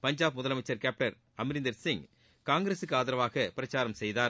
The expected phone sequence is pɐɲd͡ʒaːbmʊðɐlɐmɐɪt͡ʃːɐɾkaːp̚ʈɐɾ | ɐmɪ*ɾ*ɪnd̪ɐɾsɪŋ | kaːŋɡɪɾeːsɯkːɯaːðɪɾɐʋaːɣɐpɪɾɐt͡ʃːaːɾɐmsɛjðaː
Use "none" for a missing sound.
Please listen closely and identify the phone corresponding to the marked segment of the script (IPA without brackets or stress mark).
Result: ɾ